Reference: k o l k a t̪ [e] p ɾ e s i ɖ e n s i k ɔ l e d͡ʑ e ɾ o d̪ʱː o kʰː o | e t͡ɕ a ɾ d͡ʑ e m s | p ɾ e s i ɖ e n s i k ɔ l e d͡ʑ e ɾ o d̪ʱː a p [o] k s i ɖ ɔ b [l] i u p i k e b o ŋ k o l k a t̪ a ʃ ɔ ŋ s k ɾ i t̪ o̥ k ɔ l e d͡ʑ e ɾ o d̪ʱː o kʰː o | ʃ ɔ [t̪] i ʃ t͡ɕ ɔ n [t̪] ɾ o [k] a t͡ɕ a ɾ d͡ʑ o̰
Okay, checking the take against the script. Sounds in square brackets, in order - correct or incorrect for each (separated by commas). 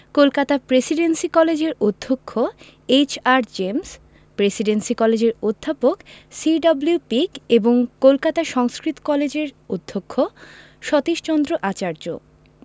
incorrect, correct, correct, correct, incorrect, incorrect